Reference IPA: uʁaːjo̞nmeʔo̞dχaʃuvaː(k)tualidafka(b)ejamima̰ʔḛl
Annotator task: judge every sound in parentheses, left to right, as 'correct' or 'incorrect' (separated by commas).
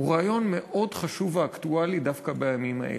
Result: correct, correct